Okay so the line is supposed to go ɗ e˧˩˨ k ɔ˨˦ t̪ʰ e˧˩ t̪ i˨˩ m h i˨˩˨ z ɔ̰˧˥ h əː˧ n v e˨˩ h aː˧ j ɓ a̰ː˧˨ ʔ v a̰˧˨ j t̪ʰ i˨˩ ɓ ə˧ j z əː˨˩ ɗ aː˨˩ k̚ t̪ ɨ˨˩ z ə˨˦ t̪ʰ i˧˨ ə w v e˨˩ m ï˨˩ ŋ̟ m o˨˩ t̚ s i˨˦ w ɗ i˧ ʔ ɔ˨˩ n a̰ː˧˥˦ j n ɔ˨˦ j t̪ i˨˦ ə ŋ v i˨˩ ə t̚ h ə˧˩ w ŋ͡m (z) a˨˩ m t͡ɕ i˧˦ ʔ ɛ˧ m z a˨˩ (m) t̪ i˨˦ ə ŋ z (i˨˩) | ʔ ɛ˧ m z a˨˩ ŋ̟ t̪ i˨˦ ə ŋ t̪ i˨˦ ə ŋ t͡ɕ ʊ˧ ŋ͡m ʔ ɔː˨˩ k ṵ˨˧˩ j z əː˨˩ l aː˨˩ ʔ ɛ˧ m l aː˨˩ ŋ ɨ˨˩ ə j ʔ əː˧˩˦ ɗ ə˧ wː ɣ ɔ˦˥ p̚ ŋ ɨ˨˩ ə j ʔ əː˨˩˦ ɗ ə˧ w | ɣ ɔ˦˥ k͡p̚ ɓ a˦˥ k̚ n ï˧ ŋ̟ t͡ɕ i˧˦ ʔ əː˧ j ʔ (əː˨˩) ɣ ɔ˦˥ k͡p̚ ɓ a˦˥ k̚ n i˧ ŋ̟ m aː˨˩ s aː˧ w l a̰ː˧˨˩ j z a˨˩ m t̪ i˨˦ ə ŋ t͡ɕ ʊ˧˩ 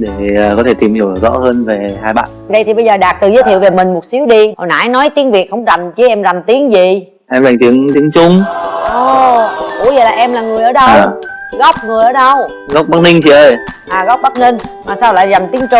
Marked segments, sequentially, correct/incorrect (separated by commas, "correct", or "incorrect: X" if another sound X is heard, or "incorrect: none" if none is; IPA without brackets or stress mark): correct, correct, correct, incorrect: aː˨˩